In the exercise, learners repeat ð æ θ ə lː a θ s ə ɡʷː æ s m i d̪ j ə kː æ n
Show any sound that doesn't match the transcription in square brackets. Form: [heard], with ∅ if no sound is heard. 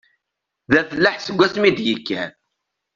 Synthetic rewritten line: ð æ θ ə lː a [ħ] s ə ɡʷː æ s m i d̪ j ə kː æ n